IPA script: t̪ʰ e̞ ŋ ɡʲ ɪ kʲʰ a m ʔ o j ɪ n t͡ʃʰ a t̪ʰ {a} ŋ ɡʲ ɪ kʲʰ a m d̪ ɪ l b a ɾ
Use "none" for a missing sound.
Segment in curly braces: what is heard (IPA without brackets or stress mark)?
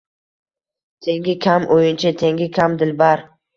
e